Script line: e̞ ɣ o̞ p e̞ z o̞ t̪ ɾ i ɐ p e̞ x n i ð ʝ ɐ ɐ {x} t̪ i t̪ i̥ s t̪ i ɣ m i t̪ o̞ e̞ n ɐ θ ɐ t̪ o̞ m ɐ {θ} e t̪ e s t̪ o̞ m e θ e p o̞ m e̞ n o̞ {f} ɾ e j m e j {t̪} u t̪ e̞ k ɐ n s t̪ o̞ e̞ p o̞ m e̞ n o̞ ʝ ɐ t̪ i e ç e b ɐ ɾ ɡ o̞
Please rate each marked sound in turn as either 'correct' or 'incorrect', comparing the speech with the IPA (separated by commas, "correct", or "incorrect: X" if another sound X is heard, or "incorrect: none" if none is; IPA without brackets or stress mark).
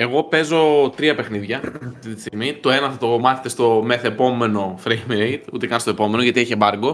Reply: incorrect: f, correct, correct, correct